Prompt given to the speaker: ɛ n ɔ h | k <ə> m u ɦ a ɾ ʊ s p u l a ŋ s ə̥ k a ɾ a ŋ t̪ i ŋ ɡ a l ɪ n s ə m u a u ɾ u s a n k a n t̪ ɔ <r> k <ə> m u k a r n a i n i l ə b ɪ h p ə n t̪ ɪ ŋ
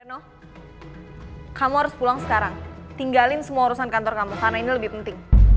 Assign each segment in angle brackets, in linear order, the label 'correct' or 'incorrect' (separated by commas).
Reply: incorrect, correct, incorrect